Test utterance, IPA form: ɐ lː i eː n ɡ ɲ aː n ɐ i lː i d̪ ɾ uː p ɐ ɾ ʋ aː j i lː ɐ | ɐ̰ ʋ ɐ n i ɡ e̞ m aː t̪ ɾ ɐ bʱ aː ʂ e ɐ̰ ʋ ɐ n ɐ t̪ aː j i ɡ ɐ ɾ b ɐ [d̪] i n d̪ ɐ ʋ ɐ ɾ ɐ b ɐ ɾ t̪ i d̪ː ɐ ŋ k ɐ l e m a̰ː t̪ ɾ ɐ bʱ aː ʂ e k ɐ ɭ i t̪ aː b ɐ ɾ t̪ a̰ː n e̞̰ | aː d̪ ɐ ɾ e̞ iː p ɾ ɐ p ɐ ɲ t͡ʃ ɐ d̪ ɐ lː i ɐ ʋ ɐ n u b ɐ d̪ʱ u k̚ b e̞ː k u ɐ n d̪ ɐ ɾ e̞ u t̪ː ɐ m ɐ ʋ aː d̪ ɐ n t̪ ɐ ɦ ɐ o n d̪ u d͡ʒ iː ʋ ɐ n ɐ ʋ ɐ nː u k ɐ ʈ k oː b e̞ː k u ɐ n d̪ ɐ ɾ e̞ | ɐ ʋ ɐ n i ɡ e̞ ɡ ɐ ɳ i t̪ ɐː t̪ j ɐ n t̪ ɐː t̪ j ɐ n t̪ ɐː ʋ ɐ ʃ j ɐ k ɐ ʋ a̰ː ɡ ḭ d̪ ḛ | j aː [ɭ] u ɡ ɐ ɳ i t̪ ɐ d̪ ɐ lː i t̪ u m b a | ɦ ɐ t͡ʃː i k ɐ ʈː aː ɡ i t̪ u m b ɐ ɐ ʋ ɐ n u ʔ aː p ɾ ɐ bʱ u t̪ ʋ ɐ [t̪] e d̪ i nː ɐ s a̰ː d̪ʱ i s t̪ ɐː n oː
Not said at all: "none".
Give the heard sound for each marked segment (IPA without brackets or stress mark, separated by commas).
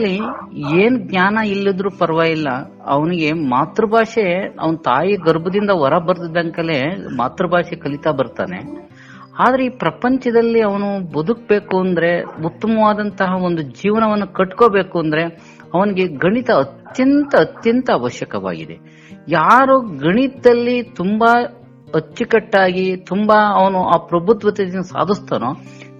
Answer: d̪, ɾ, t̪